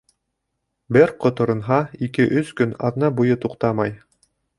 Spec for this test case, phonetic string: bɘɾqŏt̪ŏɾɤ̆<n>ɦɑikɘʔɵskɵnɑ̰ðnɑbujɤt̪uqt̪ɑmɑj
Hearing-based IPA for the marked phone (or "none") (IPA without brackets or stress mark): n